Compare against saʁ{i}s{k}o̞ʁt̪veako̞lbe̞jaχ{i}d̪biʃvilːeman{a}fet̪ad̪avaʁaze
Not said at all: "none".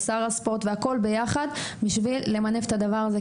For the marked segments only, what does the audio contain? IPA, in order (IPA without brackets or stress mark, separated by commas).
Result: a, p, a, e